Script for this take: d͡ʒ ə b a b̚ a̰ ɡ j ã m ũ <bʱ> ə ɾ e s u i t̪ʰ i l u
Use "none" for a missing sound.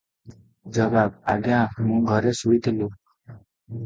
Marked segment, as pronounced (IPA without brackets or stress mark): ɡʱ